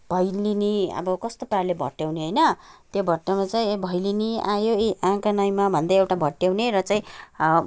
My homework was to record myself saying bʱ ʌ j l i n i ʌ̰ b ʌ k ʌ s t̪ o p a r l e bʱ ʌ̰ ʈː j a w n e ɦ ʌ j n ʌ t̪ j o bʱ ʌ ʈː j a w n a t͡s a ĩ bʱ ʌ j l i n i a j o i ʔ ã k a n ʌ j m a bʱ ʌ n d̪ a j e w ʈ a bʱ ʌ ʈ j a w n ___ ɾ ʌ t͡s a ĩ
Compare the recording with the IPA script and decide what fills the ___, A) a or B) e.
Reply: B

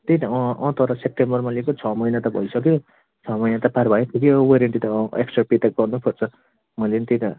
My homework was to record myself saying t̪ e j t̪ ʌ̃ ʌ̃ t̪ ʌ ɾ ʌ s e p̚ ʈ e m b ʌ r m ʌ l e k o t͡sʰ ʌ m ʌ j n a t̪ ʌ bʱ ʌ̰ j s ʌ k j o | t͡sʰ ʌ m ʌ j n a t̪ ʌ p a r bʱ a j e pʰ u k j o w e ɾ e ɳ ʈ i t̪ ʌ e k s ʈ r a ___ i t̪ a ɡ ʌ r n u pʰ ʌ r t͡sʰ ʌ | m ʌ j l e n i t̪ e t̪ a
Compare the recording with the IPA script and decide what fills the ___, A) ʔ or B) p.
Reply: B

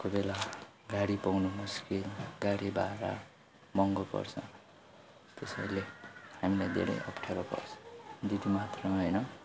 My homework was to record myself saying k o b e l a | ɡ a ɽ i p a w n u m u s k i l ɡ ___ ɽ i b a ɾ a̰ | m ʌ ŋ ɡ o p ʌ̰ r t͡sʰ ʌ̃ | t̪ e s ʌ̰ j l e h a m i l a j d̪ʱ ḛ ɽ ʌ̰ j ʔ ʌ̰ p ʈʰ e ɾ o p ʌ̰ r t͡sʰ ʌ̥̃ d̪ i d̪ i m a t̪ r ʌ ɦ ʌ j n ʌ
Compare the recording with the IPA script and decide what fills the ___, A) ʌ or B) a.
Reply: B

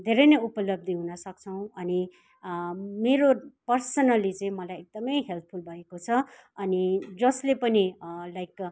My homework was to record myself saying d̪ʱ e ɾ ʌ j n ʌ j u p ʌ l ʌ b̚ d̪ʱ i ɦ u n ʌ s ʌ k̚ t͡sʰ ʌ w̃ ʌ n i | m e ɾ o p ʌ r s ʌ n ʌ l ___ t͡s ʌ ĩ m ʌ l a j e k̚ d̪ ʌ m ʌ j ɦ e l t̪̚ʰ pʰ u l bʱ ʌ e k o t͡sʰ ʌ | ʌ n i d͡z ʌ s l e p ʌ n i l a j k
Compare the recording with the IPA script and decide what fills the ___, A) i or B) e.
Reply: A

